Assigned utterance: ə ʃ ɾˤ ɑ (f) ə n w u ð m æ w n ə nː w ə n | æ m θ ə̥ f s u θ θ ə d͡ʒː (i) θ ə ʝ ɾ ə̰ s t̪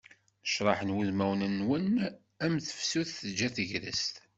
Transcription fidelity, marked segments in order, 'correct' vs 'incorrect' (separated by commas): incorrect, incorrect